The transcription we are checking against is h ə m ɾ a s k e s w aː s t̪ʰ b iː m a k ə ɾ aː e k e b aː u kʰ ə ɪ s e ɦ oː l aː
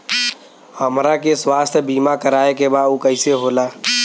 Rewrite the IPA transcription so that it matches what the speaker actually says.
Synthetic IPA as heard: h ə m ɾ a k e s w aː s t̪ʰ b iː m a k ə ɾ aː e k e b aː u k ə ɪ s e ɦ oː l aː